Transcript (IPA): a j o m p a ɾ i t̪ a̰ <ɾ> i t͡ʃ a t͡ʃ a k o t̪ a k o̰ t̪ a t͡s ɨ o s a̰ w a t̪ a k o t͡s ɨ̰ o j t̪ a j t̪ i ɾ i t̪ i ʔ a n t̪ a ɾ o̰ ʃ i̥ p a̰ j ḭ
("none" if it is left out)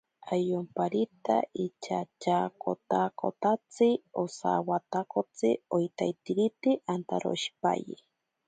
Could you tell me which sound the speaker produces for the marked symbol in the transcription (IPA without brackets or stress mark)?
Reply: none